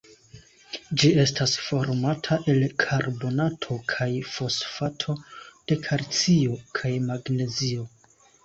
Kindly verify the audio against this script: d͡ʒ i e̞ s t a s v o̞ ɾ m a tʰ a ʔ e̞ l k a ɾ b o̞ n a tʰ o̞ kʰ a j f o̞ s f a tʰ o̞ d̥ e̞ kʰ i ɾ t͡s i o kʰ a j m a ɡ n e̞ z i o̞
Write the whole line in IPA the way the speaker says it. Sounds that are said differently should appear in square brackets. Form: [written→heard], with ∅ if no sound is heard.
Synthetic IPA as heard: d͡ʒ i e̞ s t a s [v→f] o̞ ɾ m a tʰ a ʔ e̞ l [k→kʰ] a ɾ b o̞ n a tʰ o̞ kʰ a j f o̞ s f a tʰ o̞ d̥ e̞ kʰ [i→a] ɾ t͡s i o kʰ a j m a ɡ n e̞ z i o̞